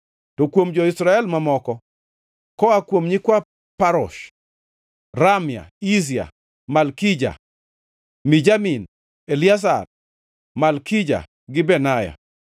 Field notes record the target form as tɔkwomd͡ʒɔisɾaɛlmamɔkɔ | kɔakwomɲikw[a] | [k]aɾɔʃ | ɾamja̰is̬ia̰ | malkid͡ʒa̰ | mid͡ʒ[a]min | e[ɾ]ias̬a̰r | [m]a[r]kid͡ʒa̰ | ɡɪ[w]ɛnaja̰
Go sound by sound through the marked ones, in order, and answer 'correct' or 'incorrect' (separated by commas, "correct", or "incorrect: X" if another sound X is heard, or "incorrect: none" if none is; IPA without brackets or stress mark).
correct, incorrect: p, correct, incorrect: l, correct, incorrect: l, incorrect: b